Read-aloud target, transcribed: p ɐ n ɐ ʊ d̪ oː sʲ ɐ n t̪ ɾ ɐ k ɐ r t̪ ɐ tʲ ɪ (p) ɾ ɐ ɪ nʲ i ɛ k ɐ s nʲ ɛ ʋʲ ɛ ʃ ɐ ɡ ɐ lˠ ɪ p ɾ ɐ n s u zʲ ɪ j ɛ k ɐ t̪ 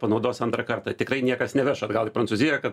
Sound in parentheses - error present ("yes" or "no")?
yes